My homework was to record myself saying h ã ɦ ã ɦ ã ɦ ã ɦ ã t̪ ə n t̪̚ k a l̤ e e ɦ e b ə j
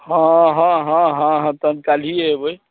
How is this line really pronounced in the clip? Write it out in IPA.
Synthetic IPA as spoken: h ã ɦ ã ɦ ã ɦ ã ɦ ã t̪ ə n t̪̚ k a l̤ i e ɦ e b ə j